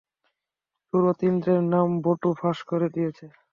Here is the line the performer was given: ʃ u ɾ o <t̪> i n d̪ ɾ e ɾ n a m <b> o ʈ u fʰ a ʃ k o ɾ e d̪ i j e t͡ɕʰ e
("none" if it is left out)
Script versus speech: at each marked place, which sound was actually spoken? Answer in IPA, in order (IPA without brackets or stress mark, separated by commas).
t̪, b